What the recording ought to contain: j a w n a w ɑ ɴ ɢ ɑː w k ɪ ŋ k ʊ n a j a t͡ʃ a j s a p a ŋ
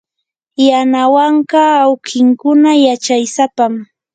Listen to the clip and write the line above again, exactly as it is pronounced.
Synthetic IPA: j a n a w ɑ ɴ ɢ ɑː w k ɪ ŋ k ʊ n a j a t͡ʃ a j s a p a m

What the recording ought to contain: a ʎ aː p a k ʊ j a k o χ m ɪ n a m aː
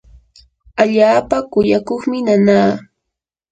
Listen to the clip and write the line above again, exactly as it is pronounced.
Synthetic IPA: a ʎ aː p a k ʊ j a k o χ m ɪ n a n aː

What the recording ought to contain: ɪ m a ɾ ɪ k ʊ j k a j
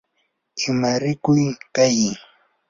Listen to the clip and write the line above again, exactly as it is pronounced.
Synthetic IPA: ɪ m a ɾ ɪ k ʊ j k a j

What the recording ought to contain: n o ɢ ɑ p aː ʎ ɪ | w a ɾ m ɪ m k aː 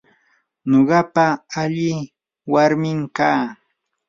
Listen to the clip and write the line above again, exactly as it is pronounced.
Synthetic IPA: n o ɢ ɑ p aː ʎ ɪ | w a ɾ m ɪ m k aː

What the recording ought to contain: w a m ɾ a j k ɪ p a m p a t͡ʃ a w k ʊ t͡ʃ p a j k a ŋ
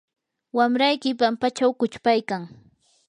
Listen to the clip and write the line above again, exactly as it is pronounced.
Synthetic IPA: w a m ɾ a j k ɪ p a m p a t͡ʃ a w k ʊ t͡ʃ p a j k a ŋ

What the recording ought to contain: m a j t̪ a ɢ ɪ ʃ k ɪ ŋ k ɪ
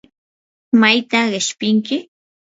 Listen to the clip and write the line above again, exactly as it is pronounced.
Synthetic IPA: m a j t̪ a ɢ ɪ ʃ p ɪ ŋ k ɪ

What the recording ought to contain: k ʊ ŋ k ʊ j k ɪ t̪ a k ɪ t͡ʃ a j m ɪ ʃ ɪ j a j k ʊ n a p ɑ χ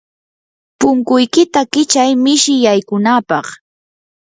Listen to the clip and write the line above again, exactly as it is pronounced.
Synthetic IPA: p ʊ ŋ k ʊ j k ɪ t̪ a k ɪ t͡ʃ a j m ɪ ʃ ɪ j a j k ʊ n a p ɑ χ

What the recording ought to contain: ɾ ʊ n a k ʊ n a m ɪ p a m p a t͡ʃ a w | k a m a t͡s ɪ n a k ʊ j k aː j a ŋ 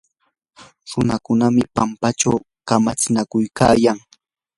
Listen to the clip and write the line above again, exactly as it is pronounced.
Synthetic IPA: ɾ ʊ n a k ʊ n a m ɪ p a m p a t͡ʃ a w | k a m a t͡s ɪ n a k ʊ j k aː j a ŋ

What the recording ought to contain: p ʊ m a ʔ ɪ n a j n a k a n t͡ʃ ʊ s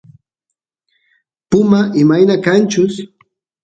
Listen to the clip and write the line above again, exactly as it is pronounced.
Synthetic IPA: p ʊ m a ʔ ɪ m a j n a k a n t͡ʃ ʊ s

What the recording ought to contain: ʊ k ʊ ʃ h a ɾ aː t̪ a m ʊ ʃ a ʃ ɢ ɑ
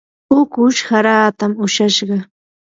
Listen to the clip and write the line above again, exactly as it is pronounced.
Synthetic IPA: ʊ k ʊ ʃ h a ɾ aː t̪ a m ʊ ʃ a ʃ ɢ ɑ

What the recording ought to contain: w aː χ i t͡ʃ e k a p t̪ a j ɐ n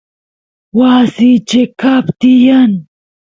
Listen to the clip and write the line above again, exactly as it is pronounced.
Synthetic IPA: w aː s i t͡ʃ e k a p t̪ i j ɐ n

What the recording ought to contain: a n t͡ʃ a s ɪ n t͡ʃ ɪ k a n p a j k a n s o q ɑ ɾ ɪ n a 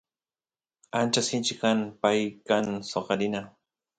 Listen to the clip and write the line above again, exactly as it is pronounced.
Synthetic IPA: a n t͡ʃ a s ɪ n t͡ʃ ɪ k a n p a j k a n s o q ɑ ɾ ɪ n a

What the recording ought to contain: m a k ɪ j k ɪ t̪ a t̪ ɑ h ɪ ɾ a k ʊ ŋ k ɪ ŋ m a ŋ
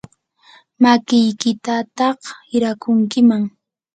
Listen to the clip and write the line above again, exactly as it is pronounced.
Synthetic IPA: m a k ɪ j k ɪ t̪ a t̪ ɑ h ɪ ɾ a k ʊ ŋ k ɪ m a ŋ

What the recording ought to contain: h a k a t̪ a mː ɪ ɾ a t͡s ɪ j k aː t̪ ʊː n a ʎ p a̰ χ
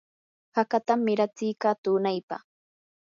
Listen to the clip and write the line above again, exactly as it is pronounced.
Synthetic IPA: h a k a t̪ a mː ɪ ɾ a t͡s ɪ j k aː t̪ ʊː n a j p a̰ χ

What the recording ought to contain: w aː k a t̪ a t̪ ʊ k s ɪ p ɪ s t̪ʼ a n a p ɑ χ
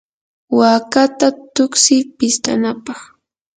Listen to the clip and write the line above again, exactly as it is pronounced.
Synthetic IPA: w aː k a t̪ a t̪ ʊ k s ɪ p ɪ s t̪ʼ a n a p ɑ χ

